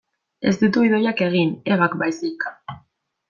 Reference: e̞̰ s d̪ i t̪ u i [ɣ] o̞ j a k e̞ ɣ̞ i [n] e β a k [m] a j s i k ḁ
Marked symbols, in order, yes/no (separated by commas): no, yes, no